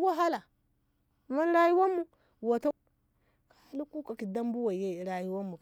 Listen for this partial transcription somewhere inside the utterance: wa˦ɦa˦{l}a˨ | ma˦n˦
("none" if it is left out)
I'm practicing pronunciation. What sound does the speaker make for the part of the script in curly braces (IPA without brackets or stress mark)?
l